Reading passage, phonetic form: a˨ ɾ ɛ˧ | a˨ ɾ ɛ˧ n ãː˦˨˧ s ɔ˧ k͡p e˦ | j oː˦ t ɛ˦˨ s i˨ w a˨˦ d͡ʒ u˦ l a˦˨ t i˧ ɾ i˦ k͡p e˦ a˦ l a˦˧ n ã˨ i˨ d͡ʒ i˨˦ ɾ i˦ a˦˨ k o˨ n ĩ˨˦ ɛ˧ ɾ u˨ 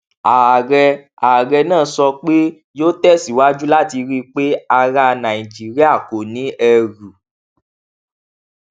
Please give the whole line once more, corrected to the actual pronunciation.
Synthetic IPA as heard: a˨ ɾ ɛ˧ | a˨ ɾ ɛ˧ n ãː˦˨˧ s ɔ˧ k͡p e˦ | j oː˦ t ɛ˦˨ s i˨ w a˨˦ d͡ʒ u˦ l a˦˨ t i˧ ɾ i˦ k͡p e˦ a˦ ɾ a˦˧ n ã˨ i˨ d͡ʒ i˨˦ ɾ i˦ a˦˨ k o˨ n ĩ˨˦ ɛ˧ ɾ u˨